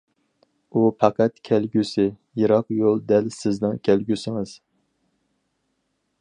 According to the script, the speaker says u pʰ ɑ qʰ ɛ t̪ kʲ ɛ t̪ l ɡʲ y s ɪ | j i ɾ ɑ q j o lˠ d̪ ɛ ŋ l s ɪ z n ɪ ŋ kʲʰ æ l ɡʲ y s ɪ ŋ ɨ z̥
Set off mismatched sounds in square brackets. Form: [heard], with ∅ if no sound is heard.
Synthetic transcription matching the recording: u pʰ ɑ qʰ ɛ t̪ [kʲʰ] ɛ [∅] l ɡʲ y s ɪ | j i ɾ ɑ q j o lˠ d̪ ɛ [∅] l s ɪ z n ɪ ŋ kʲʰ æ l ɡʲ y s ɪ ŋ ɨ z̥